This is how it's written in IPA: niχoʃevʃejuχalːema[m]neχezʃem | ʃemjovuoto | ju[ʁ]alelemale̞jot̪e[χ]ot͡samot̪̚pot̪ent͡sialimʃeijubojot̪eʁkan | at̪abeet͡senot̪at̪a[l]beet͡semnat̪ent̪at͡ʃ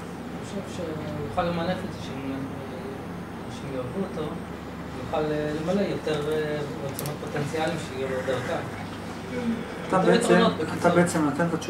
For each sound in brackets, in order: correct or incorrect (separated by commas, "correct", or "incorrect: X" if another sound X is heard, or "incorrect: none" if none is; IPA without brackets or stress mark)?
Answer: incorrect: none, incorrect: χ, incorrect: ʁ, incorrect: none